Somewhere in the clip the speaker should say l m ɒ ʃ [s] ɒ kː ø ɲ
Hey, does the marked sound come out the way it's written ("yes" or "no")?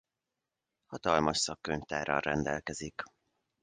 yes